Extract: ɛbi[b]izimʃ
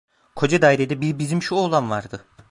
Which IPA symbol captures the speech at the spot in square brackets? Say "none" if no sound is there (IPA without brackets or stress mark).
b